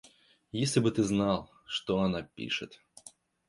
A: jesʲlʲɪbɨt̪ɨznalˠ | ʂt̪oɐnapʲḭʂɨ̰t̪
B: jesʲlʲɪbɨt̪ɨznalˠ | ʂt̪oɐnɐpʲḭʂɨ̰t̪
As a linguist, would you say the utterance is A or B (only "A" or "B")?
A